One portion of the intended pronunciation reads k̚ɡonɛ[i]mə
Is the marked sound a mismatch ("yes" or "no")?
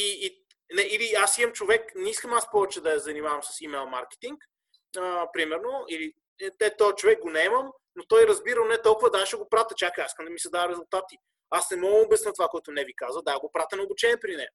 yes